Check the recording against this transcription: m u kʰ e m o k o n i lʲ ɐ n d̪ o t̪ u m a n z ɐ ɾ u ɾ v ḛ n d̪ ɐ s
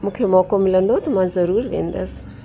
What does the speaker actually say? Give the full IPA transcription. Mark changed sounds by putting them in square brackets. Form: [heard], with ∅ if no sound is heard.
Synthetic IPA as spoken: m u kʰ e m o k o [m] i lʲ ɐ n d̪ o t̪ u m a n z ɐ ɾ u ɾ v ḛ n d̪ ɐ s

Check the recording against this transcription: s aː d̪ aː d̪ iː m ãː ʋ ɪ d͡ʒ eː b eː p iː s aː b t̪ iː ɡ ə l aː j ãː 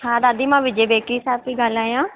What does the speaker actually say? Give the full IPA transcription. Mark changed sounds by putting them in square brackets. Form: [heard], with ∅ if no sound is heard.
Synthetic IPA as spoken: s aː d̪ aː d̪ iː m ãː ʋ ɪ d͡ʒ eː b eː [k] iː s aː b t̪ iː ɡ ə l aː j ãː

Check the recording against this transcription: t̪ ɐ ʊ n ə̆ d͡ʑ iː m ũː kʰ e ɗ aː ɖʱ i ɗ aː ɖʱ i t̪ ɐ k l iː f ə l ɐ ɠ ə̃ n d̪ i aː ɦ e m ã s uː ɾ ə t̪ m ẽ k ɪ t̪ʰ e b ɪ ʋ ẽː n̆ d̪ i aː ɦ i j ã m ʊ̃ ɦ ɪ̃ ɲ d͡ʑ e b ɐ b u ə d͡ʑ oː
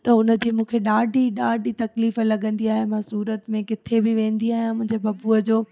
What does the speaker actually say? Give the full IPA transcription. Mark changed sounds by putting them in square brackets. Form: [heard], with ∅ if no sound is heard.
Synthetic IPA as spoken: t̪ ɐ ʊ n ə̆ d͡ʑ iː m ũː kʰ e ɗ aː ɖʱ i ɗ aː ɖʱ i t̪ ɐ k l iː f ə l ɐ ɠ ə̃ n d̪ i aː ɦ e m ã s uː ɾ ə t̪ m ẽ k ɪ t̪ʰ e b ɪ ʋ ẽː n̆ d̪ i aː ɦ i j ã m ʊ̃ ɦ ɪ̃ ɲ d͡ʑ e b ɐ b u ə d͡ʑ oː

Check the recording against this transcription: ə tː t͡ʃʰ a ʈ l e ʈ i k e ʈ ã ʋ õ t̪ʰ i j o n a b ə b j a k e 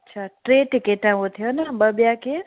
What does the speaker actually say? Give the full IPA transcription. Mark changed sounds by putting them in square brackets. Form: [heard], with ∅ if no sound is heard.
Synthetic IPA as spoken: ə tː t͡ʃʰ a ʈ [ɾ] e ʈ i k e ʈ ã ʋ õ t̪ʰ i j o n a b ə b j a k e

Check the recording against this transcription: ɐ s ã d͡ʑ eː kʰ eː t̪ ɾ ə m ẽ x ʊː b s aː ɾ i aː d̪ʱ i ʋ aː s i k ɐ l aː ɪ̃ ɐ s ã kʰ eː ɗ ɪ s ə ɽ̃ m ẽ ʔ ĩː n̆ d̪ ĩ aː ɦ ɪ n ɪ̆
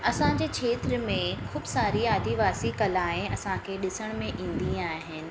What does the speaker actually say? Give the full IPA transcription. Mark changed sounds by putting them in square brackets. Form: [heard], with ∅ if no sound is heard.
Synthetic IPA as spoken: ɐ s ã d͡ʑ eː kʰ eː t̪ ɾ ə m ẽ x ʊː b s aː ɾ i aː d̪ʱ i ʋ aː s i k ɐ l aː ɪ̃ ɐ s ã kʰ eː ɗ ɪ s ə ɽ̃ m ẽ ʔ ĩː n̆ d̪ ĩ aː ɦ ɪ n ɪ̆

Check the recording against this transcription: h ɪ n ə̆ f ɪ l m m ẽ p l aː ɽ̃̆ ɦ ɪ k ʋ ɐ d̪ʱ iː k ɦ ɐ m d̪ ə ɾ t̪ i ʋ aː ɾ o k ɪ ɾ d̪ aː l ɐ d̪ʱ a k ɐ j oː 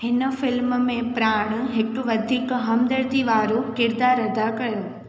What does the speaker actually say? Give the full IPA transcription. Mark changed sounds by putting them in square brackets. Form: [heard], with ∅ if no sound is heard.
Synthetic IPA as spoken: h ɪ n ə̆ f ɪ l m m ẽ p [ɾ] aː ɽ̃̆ ɦ ɪ k ʋ ɐ d̪ʱ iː k ɦ ɐ m d̪ ə ɾ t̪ i ʋ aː ɾ o k ɪ ɾ d̪ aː [ɾ] ɐ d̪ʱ a k ɐ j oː

